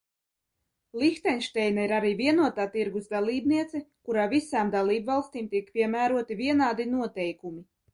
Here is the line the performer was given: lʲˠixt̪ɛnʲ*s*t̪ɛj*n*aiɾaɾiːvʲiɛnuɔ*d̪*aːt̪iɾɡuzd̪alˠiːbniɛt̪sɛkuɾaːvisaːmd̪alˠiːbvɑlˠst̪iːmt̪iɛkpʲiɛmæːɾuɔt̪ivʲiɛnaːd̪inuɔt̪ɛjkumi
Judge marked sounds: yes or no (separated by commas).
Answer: no, yes, no